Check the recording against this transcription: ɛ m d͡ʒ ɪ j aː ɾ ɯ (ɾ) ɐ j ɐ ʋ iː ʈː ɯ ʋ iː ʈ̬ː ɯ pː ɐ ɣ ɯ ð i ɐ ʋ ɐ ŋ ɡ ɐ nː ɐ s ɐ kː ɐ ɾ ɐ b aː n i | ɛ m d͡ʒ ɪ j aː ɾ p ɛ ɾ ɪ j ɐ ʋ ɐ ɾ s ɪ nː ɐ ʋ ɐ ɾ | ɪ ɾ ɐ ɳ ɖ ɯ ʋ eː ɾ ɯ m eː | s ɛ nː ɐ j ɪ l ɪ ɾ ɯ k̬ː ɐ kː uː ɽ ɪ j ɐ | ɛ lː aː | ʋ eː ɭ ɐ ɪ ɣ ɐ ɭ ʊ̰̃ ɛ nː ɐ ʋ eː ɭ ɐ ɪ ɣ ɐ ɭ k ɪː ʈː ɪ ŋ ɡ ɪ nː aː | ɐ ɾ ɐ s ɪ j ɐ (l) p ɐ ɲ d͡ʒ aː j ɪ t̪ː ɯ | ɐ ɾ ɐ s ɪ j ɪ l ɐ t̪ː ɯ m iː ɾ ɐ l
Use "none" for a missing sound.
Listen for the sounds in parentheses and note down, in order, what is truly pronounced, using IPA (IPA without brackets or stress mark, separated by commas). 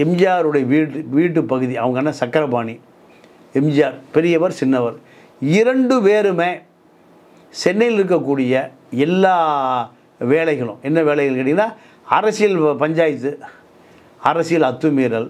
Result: ɽ, l